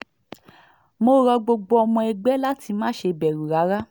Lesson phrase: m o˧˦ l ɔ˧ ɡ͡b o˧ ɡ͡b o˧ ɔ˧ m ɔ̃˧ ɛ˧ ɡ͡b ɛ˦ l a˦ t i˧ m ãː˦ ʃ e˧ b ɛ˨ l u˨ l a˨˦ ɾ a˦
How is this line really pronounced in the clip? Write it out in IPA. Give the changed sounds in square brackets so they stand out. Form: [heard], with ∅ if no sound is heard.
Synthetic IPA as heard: m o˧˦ [ɾ] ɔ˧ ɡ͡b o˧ ɡ͡b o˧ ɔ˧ m ɔ̃˧ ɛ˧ ɡ͡b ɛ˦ l a˦ t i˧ m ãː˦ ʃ e˧ b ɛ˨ [ɾ] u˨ [ɾ] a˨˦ ɾ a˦